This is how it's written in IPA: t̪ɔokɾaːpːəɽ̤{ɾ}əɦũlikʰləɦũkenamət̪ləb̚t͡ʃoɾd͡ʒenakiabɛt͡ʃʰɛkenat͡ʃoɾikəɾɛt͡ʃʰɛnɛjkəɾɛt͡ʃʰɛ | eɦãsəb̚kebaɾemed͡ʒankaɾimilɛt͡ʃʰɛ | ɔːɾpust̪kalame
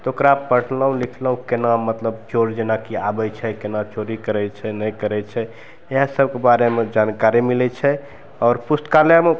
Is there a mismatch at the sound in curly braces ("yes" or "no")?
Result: yes